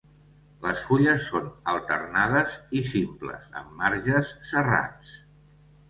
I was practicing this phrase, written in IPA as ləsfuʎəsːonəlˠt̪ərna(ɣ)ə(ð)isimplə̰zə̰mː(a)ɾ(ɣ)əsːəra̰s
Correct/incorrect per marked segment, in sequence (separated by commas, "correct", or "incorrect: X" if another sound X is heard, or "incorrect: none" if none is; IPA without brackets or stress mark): incorrect: ð, incorrect: z, correct, incorrect: ʒ